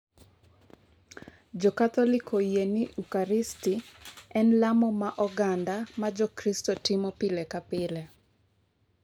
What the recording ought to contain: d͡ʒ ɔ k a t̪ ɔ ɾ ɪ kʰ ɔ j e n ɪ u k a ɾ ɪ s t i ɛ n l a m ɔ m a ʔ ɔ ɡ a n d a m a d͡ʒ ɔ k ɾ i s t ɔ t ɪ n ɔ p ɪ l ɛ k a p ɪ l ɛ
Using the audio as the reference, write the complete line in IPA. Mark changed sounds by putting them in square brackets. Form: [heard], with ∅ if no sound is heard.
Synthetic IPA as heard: d͡ʒ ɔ k a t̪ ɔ [l] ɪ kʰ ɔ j e n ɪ u k a ɾ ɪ s t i ɛ n l a m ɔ m a ʔ ɔ ɡ a n d a m a d͡ʒ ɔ k ɾ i s t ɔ t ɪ [m] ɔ p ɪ l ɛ k a p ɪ l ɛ